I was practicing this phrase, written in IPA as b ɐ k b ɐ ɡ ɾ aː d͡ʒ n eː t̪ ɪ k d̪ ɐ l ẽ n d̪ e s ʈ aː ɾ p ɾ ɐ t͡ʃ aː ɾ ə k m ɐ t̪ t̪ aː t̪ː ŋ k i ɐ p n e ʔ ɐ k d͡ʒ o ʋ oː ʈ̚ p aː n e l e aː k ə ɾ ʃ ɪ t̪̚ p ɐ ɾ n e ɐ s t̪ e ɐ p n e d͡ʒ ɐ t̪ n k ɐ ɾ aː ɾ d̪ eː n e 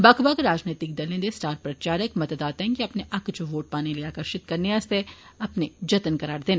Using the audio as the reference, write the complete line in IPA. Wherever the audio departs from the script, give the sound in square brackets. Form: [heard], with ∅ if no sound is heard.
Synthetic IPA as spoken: b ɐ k b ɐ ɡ ɾ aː d͡ʒ n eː t̪ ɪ k d̪ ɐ l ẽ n d̪ e s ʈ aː ɾ p ɾ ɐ t͡ʃ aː ɾ ə k m ɐ t̪ [d̪] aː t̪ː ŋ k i ɐ p n e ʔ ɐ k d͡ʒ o ʋ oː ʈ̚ p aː n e l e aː k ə ɾ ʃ ɪ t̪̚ [k] ɐ ɾ n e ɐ s t̪ e ɐ p n e d͡ʒ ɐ t̪ n k ɐ ɾ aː ɾ d̪ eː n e